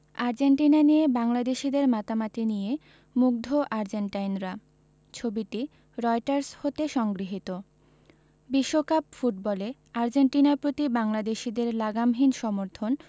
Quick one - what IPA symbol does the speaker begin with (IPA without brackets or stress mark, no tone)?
a